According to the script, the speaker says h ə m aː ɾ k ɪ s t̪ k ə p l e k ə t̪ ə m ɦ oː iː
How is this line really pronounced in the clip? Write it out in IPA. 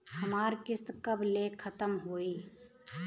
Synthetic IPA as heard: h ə m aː ɾ k ɪ s t̪ k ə b l e kʰ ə t̪ ə m ɦ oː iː